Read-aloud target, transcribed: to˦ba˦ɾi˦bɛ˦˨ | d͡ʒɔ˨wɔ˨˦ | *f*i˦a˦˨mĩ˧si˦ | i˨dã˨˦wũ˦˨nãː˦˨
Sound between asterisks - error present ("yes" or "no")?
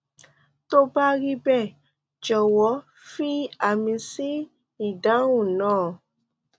no